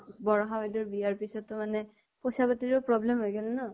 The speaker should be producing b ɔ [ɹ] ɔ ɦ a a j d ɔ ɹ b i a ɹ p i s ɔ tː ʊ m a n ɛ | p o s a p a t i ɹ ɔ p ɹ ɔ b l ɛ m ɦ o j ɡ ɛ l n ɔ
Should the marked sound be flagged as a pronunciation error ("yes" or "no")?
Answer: no